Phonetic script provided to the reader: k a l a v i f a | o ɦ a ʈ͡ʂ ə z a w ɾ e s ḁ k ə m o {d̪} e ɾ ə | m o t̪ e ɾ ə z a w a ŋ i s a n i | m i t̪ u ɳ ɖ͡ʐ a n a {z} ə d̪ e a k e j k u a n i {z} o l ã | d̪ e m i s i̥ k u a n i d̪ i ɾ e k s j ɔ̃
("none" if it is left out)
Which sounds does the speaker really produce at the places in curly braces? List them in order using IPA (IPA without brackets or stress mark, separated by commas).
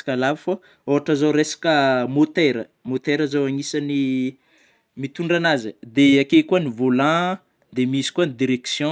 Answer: t̪, z, v